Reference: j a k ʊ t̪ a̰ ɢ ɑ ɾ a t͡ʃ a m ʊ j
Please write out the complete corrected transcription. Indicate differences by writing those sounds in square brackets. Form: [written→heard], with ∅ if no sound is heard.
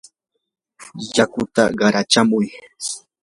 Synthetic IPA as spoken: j a k ʊ t̪ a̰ ɢ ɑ ɾ a t͡ʃ a m ʊ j